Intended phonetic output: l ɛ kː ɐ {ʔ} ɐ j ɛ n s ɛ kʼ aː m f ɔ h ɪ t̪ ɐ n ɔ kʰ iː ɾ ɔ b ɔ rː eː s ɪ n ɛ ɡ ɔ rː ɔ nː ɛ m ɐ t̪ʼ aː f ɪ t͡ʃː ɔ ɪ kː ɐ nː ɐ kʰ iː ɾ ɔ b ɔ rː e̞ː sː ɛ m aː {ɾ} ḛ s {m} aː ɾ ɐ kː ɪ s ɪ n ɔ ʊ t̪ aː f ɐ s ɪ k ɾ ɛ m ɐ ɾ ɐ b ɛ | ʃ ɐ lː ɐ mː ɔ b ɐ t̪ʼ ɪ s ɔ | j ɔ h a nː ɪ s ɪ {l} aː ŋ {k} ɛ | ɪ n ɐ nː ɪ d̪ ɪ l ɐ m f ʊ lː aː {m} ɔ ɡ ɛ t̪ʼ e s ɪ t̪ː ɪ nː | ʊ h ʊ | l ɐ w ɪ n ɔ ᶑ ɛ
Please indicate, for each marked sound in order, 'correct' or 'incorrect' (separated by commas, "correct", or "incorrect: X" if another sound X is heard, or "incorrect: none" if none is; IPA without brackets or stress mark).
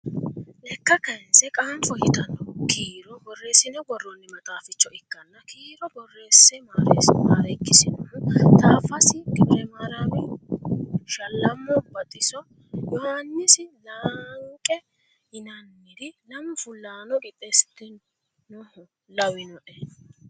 incorrect: k, correct, correct, correct, incorrect: kʼ, incorrect: n